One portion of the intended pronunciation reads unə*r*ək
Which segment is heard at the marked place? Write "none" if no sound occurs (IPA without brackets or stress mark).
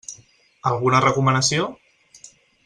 r